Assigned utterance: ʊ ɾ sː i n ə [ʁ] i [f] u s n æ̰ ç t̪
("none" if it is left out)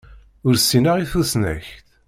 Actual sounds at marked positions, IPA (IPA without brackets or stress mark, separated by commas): ʁ, θ